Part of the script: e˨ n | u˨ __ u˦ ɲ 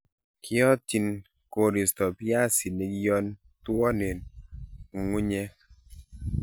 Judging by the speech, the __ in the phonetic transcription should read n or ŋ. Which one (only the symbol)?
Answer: ŋ